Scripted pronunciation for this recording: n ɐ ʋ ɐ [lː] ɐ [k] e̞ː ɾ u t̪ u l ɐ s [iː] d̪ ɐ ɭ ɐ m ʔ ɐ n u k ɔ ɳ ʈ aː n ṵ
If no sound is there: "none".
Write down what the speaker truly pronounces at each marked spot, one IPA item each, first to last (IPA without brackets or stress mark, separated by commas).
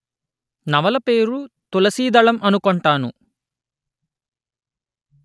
l, p, iː